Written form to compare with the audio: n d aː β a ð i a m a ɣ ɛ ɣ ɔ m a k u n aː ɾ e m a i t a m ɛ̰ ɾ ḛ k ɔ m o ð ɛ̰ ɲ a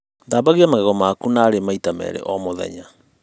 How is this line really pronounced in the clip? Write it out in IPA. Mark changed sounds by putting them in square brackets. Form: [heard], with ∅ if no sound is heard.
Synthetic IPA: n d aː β a [ɣ] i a m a ɣ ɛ ɣ ɔ m a k u n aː ɾ e m a i t a m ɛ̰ ɾ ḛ [ʔ] ɔ m o ð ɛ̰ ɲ a

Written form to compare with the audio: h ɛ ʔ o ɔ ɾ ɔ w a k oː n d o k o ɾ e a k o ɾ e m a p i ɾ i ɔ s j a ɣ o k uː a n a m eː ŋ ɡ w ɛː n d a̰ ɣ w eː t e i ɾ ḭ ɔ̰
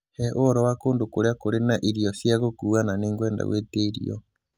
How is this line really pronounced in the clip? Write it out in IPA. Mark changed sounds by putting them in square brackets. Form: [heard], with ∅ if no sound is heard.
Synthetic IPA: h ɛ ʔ o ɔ ɾ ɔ w a k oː n d o k o ɾ e a k o ɾ e [n] a [ʔ] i ɾ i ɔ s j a ɣ o k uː a n a [n] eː ŋ ɡ w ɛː n d a̰ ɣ w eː t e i ɾ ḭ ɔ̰

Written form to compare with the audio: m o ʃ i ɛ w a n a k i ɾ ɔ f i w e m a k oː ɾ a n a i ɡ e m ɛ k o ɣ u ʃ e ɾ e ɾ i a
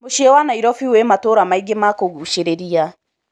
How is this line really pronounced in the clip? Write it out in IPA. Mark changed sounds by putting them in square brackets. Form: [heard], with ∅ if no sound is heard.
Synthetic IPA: m o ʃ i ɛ w a n a [∅] i ɾ ɔ f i w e m a [t] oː ɾ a [m] a i ɡ e m [a] k o ɣ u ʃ e ɾ e ɾ i a

